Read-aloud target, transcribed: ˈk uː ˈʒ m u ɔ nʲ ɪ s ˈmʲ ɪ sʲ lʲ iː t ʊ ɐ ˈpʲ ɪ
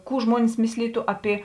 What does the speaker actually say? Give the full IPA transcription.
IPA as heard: ˈk uː ˈʒ m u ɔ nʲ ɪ s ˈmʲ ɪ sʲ lʲ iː t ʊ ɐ ˈpʲ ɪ